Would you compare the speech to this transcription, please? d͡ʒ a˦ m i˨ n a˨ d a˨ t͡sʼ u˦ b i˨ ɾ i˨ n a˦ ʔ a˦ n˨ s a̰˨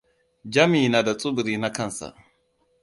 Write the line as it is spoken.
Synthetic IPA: d͡ʒ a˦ m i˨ n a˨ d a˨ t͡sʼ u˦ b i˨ ɾ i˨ n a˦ k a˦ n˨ s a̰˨